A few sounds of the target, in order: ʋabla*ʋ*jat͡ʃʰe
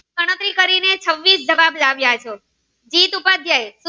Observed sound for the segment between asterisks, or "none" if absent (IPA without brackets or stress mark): ʋ